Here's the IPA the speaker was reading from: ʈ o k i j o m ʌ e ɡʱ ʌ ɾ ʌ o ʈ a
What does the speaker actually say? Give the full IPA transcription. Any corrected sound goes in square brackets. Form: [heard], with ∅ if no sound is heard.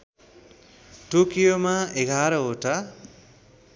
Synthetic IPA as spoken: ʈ o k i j o m [a] e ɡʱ [a] ɾ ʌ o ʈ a